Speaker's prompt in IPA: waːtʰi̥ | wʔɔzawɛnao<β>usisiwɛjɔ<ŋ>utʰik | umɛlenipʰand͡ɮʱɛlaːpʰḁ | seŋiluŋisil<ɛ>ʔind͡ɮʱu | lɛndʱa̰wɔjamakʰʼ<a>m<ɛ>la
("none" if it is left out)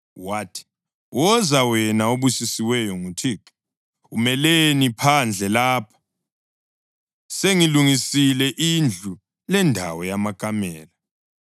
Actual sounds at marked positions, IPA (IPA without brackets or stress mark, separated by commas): β, ŋ, ɛ, a, ɛː